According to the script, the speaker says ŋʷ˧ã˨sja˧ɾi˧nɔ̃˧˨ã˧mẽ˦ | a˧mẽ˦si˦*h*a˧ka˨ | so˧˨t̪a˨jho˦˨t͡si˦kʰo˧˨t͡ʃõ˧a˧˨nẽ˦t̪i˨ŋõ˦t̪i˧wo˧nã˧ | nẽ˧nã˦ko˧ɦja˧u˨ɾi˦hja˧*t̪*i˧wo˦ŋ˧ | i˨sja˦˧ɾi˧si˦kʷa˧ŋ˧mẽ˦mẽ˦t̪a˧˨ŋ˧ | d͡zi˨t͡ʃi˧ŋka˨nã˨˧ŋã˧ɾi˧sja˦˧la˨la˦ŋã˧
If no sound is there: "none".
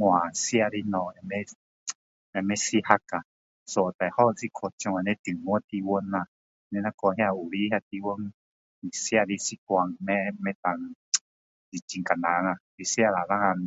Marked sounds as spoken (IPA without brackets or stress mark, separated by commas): h, t̪